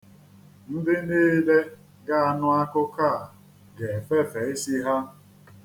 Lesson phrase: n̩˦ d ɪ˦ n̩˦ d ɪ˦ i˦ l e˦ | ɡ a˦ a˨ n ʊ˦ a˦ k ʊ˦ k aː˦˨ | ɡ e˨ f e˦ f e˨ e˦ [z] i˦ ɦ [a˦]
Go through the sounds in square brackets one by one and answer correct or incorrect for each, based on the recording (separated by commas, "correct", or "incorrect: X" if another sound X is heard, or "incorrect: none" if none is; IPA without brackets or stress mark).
incorrect: s, correct